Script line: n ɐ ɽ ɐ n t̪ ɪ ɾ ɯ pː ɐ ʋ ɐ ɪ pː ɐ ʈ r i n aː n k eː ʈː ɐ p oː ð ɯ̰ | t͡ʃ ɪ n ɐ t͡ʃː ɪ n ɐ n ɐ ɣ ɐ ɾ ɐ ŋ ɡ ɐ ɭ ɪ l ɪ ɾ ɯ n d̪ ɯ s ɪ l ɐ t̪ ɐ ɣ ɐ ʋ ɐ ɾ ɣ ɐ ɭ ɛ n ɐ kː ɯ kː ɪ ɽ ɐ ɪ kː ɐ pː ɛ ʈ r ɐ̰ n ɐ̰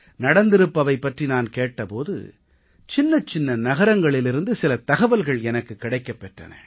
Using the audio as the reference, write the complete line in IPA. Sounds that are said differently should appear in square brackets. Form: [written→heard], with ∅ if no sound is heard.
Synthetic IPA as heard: n ɐ ɽ ɐ n [t̪→d̪] ɪ ɾ ɯ pː ɐ ʋ ɐ ɪ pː ɐ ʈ r i n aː n k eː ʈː ɐ p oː ð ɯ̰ | t͡ʃ ɪ [n→nː] ɐ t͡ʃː ɪ [n→nː] ɐ n ɐ ɣ ɐ ɾ ɐ ŋ ɡ ɐ ɭ ɪ l ɪ ɾ ɯ n d̪ ɯ s ɪ l ɐ t̪ ɐ ɣ ɐ ʋ ɐ [ɾ→l] ɣ ɐ ɭ ɛ n ɐ kː ɯ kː ɪ ɽ ɐ ɪ kː ɐ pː ɛ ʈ r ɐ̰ n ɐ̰